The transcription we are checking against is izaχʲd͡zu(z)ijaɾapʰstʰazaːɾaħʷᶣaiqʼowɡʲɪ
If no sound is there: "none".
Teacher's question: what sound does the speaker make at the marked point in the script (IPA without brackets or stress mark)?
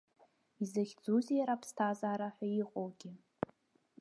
z